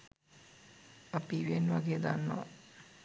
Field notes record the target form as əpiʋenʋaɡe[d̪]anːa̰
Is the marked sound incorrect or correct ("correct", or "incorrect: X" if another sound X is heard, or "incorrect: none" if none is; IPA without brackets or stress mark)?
correct